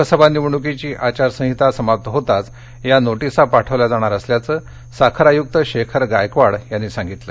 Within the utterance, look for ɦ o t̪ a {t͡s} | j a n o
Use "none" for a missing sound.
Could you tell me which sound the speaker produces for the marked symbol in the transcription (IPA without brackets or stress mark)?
t͡s